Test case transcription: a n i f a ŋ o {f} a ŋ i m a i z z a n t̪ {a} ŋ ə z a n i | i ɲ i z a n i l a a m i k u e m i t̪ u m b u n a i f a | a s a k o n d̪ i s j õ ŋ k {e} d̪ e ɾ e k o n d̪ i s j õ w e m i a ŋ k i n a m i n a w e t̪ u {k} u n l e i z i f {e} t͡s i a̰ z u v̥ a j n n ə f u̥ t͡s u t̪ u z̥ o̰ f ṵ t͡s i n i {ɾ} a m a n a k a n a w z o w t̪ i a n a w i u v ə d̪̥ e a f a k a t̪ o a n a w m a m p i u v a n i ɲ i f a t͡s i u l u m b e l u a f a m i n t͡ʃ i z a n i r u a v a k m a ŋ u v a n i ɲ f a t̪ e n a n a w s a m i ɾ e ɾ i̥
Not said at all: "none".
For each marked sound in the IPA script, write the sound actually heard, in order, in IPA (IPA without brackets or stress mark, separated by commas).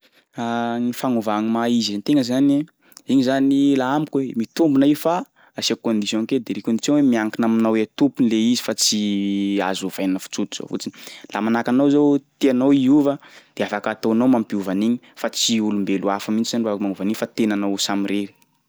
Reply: v, e, e, p, a, l